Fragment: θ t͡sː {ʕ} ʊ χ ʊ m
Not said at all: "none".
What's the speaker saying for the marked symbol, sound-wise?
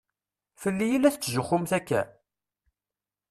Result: ʒ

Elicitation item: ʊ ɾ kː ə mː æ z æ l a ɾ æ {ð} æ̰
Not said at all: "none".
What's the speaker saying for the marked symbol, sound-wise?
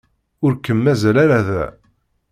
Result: ð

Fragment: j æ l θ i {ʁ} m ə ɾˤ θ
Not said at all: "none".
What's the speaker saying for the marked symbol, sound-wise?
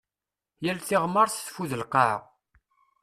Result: ʁ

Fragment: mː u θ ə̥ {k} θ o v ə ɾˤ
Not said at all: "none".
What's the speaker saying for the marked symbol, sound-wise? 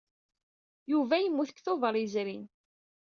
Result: k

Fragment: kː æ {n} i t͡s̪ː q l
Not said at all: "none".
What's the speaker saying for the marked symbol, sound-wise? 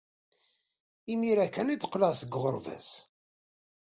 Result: n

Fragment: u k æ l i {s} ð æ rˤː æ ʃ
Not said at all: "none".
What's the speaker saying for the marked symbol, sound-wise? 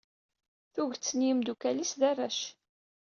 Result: s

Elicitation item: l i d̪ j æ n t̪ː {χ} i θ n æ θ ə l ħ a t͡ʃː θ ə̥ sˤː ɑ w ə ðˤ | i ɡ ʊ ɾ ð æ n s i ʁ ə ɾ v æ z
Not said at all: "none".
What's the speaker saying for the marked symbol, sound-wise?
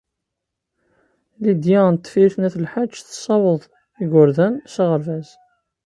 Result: f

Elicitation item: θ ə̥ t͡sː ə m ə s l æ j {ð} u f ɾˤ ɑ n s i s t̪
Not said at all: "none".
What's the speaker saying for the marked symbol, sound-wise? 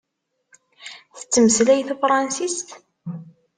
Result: θ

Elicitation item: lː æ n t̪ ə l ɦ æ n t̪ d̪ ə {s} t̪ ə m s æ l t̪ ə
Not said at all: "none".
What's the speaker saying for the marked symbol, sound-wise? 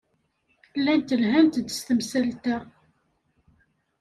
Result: s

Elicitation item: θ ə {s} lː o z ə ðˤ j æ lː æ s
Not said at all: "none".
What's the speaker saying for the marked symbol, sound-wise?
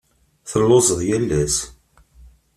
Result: none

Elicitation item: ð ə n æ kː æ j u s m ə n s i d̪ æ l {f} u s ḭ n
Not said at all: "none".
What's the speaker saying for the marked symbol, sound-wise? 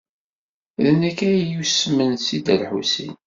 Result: ħ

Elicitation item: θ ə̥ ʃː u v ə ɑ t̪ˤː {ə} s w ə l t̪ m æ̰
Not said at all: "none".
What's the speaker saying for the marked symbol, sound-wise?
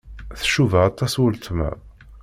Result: ɑ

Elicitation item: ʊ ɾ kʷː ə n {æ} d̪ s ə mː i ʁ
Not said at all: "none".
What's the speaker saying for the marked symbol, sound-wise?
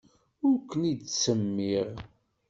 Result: i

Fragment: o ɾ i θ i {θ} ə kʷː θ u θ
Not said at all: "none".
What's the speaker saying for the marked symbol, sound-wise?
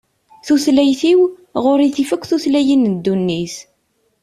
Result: f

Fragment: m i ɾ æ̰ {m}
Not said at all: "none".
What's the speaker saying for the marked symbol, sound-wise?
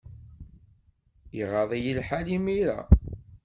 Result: none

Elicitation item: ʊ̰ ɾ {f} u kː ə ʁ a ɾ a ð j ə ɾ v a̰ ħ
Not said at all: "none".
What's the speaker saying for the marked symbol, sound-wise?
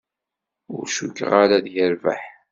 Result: ʃ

